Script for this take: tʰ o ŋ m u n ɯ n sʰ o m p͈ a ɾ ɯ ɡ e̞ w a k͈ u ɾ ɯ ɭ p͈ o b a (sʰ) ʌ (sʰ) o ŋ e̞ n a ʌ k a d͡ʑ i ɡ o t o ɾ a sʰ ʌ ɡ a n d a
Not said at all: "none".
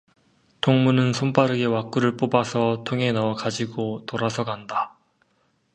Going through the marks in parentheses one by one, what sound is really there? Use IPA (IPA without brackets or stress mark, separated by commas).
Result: sʰ, tʰ